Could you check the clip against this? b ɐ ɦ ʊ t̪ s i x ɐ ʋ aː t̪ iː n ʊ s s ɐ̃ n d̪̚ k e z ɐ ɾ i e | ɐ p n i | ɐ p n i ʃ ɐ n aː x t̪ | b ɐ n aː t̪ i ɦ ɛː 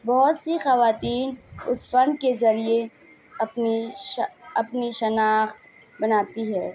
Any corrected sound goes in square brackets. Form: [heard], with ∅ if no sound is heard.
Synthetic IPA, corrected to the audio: b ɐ ɦ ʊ t̪ s i x ɐ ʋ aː t̪ iː n ʊ s [f] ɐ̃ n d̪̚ k e z ɐ ɾ i e | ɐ p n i | ɐ p n i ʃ ɐ n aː x t̪ | b ɐ n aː t̪ i ɦ ɛː